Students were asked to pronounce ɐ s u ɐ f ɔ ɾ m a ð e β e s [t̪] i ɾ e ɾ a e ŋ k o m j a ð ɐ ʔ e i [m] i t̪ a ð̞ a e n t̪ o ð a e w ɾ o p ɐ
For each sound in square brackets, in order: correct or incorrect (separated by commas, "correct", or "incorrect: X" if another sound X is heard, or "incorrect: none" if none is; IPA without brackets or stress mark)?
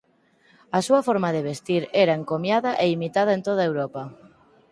correct, correct